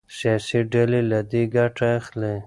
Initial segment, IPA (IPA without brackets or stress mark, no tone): s